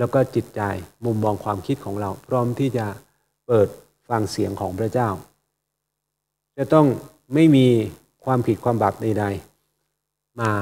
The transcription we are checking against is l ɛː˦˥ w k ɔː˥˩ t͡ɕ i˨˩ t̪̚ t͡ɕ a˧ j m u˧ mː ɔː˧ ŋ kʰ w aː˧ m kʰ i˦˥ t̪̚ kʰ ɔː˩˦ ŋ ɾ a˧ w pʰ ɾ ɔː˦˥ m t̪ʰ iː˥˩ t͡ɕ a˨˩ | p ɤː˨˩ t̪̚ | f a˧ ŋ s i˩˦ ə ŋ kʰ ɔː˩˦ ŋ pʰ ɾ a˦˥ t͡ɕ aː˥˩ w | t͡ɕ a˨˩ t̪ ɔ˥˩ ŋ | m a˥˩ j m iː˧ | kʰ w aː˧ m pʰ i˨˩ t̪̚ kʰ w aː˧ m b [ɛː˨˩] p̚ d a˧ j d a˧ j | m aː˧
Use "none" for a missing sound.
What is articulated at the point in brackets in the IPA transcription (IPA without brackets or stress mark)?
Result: aː˨˩